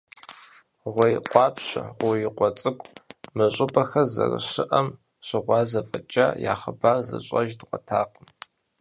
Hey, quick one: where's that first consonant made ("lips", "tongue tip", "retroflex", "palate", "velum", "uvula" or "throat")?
uvula